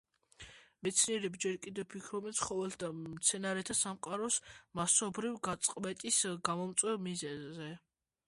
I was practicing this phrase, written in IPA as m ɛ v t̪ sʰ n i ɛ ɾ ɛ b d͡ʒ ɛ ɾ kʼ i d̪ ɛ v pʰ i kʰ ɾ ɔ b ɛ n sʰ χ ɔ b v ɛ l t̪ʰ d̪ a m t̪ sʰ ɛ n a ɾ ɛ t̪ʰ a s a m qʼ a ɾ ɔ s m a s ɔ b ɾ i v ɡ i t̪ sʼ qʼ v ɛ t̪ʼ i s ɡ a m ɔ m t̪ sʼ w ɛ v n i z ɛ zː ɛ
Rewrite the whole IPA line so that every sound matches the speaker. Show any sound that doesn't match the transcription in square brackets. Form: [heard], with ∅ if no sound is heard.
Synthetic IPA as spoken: m ɛ [∅] t̪ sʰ n i ɛ ɾ ɛ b d͡ʒ ɛ ɾ kʼ i d̪ ɛ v pʰ i kʰ ɾ ɔ b ɛ n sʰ χ ɔ [∅] v ɛ l t̪ʰ d̪ a m t̪ sʰ ɛ n a ɾ ɛ t̪ʰ a s a m qʼ a ɾ ɔ s m a s ɔ b ɾ i v ɡ [a] t̪ sʼ qʼ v ɛ t̪ʼ i s ɡ a m ɔ m t̪ sʼ w ɛ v [m] i z ɛ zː ɛ

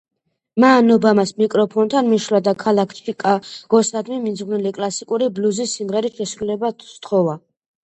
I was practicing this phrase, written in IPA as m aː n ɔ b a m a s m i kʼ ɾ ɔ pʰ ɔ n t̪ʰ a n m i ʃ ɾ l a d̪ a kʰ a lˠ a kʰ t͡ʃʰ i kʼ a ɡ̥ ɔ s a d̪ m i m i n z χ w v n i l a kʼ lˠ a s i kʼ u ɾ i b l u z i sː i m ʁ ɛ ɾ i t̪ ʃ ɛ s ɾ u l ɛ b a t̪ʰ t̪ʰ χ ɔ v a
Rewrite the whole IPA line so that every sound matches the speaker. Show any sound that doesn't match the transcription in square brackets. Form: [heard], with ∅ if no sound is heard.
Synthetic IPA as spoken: m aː n ɔ b a m a s m i kʼ ɾ ɔ pʰ ɔ n t̪ʰ a n m i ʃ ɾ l a d̪ a kʰ a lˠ a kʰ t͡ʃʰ i kʼ a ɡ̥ ɔ s a d̪ m i m i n z [ʁ] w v n i l [i] kʼ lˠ a s i kʼ u ɾ i b l u z i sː i m ʁ ɛ ɾ i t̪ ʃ ɛ s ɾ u l ɛ b a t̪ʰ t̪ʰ χ ɔ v a

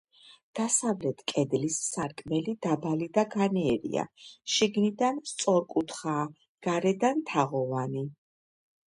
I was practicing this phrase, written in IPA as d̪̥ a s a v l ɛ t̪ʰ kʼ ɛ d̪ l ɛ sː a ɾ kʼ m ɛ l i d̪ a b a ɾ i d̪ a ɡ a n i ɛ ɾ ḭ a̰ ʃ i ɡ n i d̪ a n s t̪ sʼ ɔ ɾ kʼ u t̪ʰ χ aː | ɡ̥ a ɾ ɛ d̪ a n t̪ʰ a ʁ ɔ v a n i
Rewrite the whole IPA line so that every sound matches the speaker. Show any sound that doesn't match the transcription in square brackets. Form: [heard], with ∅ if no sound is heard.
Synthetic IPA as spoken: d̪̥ a s a v l ɛ t̪ʰ kʼ ɛ d̪ l [i] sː a ɾ kʼ m ɛ l i d̪ a b a [l] i d̪ a ɡ a n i ɛ ɾ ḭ a̰ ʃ i ɡ n i d̪ a n s t̪ sʼ ɔ ɾ kʼ u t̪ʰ χ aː | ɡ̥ a ɾ ɛ d̪ a n t̪ʰ a ʁ ɔ v a n i

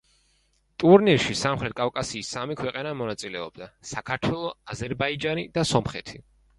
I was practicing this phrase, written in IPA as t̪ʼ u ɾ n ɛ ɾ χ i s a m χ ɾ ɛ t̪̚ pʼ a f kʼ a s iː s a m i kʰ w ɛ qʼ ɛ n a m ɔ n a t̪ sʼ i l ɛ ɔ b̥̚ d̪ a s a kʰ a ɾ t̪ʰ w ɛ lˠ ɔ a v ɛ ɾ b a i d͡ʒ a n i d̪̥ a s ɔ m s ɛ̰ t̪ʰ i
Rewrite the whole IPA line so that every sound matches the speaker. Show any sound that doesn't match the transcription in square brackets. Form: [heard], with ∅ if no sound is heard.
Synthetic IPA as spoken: t̪ʼ u ɾ n [i] ɾ [ʃ] i s a m χ ɾ ɛ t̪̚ [kʼ] a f kʼ a s iː s a m i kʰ w ɛ qʼ ɛ n a m ɔ n a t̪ sʼ i l ɛ ɔ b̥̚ d̪ a s a kʰ a ɾ t̪ʰ w ɛ lˠ ɔ a [z] ɛ ɾ b a i d͡ʒ a n i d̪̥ a s ɔ m [χ] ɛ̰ t̪ʰ i

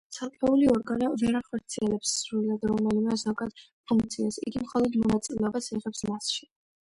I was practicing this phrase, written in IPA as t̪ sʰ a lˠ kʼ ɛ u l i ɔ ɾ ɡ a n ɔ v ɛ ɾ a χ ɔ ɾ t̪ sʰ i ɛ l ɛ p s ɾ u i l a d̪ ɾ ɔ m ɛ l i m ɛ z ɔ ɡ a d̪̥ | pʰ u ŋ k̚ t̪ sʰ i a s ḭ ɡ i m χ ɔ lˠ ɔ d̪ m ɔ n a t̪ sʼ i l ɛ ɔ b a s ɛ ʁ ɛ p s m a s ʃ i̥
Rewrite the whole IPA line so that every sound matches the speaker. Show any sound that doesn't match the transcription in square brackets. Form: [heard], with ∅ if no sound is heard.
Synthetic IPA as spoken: t̪ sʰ a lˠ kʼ ɛ u l i ɔ ɾ ɡ a n ɔ v ɛ ɾ a χ ɔ ɾ t̪ sʰ i ɛ l ɛ p s ɾ u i l a d̪ ɾ ɔ m ɛ l i m ɛ z ɔ ɡ a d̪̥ | pʰ u ŋ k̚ t̪ sʰ i a s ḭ ɡ i m χ ɔ lˠ ɔ d̪ m ɔ n a t̪ sʼ i l ɛ ɔ b a s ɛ ʁ ɛ p s m a s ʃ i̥

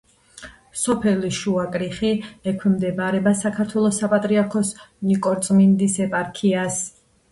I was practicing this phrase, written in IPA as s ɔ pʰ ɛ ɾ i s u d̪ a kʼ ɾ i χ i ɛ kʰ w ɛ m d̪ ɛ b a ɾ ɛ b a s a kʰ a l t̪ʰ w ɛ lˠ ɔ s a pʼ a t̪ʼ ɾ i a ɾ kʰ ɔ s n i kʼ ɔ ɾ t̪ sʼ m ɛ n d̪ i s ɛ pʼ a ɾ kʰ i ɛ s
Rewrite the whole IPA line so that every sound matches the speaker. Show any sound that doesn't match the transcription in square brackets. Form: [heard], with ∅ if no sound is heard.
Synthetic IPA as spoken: s ɔ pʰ ɛ [l] i [ʃ] u [∅] a kʼ ɾ i χ i ɛ kʰ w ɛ m d̪ ɛ b a ɾ ɛ b a s a kʰ a [ɾ] t̪ʰ w ɛ lˠ ɔ s a pʼ a t̪ʼ ɾ i a ɾ kʰ ɔ s n i kʼ ɔ ɾ t̪ sʼ m [i] n d̪ i s ɛ pʼ a ɾ kʰ i [a] s

